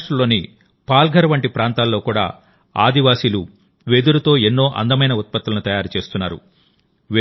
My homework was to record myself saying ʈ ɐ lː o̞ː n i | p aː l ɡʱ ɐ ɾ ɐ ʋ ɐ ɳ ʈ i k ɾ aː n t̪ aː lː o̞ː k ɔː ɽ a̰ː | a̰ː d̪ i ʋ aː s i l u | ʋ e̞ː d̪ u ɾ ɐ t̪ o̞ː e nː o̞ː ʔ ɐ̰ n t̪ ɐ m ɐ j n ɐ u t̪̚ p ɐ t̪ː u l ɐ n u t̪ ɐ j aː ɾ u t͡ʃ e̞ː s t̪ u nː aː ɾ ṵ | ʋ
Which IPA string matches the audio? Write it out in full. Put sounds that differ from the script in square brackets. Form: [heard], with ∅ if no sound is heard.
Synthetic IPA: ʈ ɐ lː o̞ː n i | p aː l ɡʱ ɐ ɾ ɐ ʋ ɐ ɳ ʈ i [p] ɾ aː n t̪ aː lː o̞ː k [uː] ɽ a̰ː | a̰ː d̪ i ʋ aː s i l u | ʋ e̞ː d̪ u ɾ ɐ t̪ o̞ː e nː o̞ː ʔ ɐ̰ n [d̪] ɐ m ɐ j n ɐ u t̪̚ p ɐ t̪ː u l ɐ n u t̪ ɐ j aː ɾ u t͡ʃ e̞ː s t̪ u nː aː ɾ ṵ | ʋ